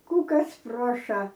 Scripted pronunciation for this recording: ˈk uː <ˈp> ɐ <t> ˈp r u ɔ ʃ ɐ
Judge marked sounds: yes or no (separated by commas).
no, no